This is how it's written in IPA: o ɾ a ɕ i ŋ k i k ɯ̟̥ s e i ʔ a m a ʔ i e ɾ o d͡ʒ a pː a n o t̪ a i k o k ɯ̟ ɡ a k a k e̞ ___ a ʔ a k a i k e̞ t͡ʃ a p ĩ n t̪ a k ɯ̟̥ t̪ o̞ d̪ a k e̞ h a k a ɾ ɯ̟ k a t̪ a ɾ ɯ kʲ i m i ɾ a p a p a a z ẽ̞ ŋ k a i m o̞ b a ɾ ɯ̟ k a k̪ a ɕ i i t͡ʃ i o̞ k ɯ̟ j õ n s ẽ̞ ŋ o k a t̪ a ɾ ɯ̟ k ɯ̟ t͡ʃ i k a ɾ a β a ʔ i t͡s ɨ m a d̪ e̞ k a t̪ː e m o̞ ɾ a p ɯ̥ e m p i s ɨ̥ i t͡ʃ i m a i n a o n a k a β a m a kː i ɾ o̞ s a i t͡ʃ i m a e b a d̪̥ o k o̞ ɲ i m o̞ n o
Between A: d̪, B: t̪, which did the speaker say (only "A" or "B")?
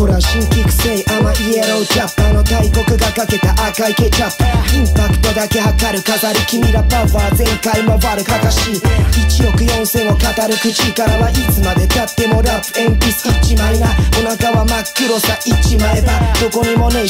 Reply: B